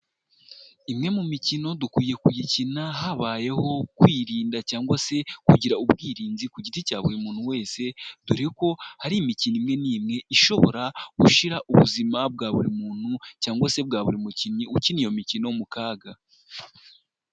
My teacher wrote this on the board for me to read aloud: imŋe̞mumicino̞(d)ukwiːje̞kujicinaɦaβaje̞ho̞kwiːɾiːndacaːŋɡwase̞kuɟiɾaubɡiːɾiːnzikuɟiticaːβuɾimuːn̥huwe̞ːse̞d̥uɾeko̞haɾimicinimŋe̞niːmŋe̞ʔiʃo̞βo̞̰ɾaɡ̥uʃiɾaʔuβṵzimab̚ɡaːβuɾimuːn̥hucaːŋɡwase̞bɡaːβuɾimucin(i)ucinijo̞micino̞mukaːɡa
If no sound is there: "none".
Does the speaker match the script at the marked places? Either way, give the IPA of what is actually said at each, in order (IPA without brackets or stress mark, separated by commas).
d, i